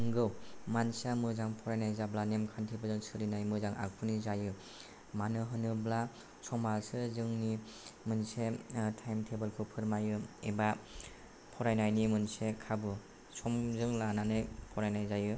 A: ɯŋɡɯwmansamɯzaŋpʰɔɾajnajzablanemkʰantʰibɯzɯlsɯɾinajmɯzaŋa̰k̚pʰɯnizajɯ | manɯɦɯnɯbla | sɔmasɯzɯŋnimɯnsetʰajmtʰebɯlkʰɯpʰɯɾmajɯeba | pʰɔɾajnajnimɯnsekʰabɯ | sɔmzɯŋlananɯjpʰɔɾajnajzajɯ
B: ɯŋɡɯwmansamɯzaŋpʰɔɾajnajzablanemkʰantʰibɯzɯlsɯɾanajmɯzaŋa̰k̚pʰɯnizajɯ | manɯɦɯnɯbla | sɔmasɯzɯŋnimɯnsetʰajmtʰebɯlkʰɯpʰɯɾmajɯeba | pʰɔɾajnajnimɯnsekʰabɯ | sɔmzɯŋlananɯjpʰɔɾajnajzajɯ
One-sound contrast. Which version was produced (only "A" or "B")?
A